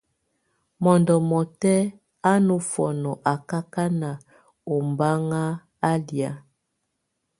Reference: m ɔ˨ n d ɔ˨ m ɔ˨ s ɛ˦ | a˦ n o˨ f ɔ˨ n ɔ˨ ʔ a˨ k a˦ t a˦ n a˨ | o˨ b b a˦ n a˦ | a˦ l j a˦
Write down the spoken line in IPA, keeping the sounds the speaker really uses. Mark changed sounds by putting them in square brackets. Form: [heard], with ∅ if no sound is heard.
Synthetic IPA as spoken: m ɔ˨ n d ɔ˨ m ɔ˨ [t] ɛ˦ | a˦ n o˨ f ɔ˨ n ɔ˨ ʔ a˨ k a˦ [k] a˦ n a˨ | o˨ [m] b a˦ [ŋ] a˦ | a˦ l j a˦

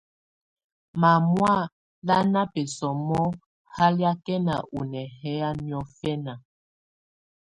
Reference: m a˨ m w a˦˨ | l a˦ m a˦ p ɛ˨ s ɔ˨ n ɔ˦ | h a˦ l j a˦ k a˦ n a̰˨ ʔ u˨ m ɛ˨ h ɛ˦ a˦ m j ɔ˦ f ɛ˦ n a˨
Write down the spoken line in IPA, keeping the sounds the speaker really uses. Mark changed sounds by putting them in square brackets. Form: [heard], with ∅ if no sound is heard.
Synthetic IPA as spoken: m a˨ m w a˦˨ | l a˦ [n] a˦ p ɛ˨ s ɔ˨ [m] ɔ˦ | h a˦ l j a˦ k [ɛ˦] n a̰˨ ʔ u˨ [n] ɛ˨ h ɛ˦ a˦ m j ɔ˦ f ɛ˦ n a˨

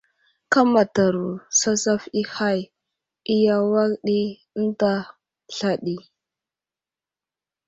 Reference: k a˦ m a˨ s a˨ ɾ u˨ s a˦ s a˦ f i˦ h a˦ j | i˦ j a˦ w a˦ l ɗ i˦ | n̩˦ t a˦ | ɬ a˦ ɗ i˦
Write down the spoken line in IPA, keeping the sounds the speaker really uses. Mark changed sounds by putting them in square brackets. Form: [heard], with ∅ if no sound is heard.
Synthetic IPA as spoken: k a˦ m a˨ [t] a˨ ɾ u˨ s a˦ s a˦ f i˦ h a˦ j | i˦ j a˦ w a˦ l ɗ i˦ | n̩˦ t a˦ | ɬ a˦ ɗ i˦

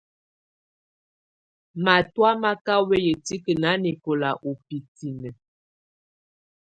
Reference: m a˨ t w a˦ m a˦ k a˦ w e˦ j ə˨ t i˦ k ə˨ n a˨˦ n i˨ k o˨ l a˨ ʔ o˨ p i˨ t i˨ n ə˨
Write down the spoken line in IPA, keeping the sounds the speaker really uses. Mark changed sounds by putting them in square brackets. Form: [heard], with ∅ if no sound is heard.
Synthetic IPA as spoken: m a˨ t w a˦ m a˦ k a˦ w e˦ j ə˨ t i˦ k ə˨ n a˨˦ n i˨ k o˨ l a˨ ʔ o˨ p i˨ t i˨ n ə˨

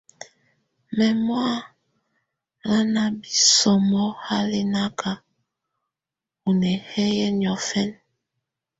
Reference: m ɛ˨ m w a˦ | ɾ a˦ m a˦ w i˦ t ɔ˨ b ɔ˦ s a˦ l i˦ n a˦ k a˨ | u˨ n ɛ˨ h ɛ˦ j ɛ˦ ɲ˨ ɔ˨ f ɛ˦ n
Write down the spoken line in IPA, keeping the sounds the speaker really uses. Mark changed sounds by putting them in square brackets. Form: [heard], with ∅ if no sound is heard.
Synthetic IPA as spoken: m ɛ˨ m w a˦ | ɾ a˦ [n] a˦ [b] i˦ [s] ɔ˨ [m] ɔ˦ [h] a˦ l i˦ n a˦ k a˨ | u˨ n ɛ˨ h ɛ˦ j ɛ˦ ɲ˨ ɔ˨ f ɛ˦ n

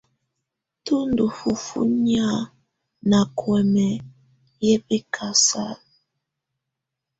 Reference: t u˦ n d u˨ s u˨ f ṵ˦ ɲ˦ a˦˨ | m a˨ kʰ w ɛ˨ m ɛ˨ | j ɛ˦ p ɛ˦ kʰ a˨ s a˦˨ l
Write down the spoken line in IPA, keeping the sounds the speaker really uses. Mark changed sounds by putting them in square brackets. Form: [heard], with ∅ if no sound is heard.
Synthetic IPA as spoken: t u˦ n d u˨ [f] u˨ f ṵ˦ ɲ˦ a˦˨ | [n] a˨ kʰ w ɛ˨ m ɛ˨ | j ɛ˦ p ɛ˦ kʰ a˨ s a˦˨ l

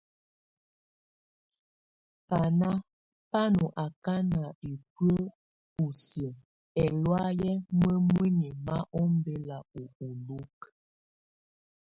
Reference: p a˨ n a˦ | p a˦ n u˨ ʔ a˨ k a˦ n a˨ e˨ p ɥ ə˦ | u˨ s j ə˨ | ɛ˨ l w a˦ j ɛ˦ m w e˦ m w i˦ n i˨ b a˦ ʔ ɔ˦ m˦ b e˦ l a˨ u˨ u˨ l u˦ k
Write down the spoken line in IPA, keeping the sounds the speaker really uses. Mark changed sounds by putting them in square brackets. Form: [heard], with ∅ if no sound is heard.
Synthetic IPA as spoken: p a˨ n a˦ | p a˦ n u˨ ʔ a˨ k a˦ n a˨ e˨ p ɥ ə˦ | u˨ s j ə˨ | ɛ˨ l w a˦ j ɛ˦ m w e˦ m w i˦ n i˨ [m] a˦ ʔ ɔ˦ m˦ b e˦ l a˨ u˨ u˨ l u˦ k

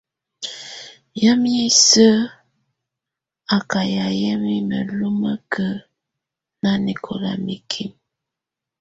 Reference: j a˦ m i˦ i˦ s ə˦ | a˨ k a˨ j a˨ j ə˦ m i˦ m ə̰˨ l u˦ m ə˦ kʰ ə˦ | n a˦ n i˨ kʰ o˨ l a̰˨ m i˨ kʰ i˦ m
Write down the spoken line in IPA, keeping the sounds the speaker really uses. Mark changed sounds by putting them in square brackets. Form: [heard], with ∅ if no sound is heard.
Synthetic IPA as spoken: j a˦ m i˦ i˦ s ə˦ | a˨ k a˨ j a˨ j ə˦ m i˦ m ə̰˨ l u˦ m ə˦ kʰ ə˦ | n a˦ n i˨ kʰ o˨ l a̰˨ m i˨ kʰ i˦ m

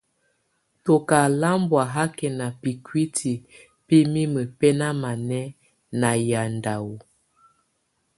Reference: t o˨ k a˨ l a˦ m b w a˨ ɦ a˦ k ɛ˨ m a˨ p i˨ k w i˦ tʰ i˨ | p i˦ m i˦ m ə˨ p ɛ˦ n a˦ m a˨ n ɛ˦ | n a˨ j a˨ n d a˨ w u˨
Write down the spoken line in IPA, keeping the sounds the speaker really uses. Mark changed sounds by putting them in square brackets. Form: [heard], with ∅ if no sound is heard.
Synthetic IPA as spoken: t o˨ k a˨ l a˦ m b w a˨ ɦ a˦ k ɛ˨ [n] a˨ p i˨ k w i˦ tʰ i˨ | p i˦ m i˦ m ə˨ p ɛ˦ n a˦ m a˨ n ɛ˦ | n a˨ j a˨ n d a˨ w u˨

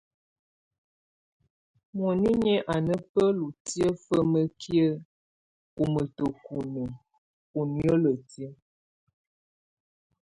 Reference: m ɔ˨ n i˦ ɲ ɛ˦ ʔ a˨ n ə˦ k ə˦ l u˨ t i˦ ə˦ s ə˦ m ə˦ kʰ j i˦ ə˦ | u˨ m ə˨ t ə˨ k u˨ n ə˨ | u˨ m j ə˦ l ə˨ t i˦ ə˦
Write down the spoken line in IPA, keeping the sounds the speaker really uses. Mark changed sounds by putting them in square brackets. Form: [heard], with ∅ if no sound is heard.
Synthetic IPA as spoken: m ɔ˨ n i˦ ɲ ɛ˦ ʔ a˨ n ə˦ [p] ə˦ l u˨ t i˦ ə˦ [f] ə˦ m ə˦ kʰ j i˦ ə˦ | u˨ m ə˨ t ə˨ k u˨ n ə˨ | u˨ [n] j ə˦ l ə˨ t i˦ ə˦

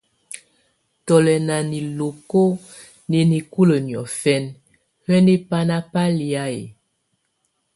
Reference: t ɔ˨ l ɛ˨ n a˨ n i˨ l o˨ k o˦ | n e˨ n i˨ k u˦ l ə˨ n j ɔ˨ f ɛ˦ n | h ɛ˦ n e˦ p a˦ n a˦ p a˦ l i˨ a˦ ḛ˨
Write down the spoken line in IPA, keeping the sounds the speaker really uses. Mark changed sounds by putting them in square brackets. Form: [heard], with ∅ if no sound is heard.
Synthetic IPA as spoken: t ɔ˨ l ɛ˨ n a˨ n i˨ l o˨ k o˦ | n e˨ n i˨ k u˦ l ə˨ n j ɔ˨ f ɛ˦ n | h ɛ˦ n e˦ p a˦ n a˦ p a˦ l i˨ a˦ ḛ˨

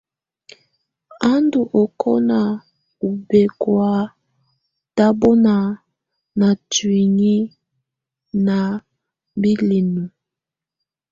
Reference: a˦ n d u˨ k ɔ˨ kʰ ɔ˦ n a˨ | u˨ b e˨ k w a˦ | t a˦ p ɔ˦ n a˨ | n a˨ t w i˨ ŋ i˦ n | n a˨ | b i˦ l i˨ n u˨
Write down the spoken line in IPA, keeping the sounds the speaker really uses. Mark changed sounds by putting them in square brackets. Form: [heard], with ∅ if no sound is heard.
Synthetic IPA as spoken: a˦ n d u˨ [ʔ] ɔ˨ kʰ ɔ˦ n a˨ | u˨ b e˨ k w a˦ | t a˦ [b] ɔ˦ n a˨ | n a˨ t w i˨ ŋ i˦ [∅] | n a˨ | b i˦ l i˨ n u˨

